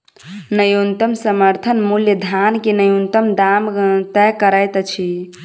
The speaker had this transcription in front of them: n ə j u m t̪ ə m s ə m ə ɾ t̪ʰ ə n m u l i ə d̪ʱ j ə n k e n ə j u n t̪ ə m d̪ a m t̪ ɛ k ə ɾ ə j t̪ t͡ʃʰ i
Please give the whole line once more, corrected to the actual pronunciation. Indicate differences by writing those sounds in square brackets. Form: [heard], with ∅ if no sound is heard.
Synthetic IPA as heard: n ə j u [n] t̪ ə m s ə m ə ɾ t̪ʰ ə n m u l [j] ə d̪ʱ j [a] n k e n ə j u n t̪ ə m d̪ a m t̪ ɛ k ə ɾ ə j t̪ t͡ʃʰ i